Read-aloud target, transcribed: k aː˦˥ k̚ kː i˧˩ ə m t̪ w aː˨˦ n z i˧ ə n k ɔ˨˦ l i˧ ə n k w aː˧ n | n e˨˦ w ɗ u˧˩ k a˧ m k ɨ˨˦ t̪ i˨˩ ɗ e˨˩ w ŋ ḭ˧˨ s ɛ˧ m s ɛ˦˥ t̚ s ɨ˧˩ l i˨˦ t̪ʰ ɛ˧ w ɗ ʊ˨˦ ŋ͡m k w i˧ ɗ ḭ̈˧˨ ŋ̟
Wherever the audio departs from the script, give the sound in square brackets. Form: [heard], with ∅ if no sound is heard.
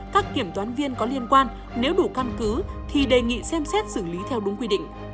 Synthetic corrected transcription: k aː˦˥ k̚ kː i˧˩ ə m t̪ w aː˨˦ n [v] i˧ ə n k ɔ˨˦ l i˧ ə n k w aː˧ n | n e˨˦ w ɗ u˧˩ k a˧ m k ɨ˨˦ [t̪ʰ] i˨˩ ɗ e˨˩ [∅] ŋ ḭ˧˨ s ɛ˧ m s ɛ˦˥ t̚ s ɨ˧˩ l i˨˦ t̪ʰ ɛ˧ w ɗ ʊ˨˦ ŋ͡m k w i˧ ɗ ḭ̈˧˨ ŋ̟